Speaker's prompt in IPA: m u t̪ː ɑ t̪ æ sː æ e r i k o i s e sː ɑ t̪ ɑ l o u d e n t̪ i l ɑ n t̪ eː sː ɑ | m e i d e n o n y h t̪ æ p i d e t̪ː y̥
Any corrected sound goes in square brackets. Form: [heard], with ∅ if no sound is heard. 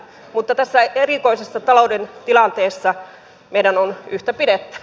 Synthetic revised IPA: m u t̪ː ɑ t̪ æ sː æ e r i k o i s e sː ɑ t̪ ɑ l o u d e n t̪ i l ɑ n t̪ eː sː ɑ | m e i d [æ] n o n y h t̪ æ p i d e t̪ː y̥